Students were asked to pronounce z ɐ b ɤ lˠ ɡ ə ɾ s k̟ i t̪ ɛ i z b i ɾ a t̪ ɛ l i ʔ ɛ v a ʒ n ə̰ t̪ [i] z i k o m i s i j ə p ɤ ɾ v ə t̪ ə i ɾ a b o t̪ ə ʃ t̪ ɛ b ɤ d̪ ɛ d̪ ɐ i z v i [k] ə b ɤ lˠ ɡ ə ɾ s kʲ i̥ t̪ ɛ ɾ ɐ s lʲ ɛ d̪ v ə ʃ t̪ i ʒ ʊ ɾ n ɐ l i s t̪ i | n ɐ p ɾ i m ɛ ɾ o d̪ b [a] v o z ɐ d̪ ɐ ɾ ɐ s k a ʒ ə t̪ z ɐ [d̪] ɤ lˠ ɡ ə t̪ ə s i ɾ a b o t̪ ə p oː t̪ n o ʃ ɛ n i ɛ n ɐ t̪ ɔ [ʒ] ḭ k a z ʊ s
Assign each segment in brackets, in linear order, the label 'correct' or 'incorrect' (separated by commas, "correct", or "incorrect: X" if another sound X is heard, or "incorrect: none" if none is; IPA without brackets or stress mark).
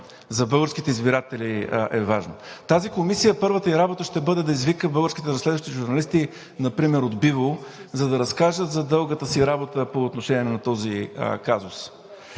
incorrect: a, correct, incorrect: i, correct, incorrect: z